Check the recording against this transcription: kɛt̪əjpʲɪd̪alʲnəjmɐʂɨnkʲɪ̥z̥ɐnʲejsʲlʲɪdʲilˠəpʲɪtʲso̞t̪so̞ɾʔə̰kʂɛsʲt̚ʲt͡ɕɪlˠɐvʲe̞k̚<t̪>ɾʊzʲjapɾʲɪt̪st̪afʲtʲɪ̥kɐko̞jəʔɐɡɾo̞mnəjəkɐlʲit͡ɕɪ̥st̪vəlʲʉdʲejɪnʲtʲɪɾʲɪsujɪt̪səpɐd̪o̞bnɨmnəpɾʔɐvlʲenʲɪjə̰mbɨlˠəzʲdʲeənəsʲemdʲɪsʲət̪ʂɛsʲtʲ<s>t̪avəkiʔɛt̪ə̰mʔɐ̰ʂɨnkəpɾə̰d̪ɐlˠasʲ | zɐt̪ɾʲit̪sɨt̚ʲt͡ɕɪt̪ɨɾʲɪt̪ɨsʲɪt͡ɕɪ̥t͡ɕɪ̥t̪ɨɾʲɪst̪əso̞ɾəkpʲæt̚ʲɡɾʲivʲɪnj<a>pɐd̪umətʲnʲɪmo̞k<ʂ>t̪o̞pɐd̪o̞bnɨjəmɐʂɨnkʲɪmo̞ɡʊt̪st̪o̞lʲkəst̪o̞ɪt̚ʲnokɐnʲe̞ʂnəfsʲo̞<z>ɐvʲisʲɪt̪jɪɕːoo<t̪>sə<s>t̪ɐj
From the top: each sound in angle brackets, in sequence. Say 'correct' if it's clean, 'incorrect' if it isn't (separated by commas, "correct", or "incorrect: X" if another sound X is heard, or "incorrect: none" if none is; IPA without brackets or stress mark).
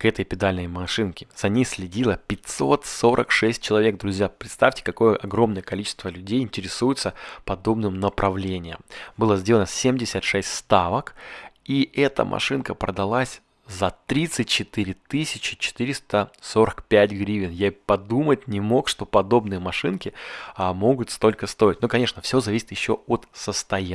incorrect: d̪, correct, correct, correct, correct, correct, correct